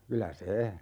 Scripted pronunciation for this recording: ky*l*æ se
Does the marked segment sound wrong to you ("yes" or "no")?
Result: no